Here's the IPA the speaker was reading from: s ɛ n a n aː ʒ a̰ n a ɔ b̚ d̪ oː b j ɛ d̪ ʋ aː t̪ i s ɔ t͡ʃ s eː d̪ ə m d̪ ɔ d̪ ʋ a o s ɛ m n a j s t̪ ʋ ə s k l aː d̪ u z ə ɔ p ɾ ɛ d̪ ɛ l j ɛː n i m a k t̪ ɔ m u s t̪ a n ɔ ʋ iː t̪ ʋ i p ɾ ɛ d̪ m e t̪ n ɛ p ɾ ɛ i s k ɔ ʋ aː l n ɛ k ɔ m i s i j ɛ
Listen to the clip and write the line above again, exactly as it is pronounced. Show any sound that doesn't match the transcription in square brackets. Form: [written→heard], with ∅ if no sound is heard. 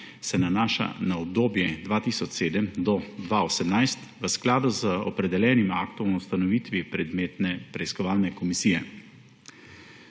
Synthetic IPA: s ɛ n a n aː [ʒ→ʃ] a̰ n a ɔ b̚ d̪ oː b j ɛ d̪ ʋ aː t̪ i s ɔ t͡ʃ s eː d̪ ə m d̪ ɔ d̪ ʋ a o s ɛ m n a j s t̪ ʋ ə s k l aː d̪ u z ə ɔ p ɾ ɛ d̪ ɛ l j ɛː n i m a k t̪ ɔ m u s t̪ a n ɔ ʋ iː t̪ ʋ i p ɾ ɛ d̪ m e t̪ n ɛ p ɾ ɛ i s k ɔ ʋ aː l n ɛ k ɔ m i s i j ɛ